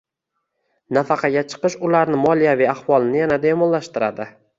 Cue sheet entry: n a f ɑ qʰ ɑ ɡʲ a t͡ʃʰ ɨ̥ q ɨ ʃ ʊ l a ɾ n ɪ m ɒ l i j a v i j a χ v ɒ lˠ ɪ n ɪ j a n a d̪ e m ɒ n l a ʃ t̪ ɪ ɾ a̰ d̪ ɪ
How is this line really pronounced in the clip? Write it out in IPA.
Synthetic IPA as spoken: n a f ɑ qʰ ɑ ɡʲ a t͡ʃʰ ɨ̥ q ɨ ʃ ʊ l a ɾ n ɪ m ɒ l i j a v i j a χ v ɒ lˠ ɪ n ɪ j a n a d̪ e m ɒ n l a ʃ t̪ ɪ ɾ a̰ d̪ ɪ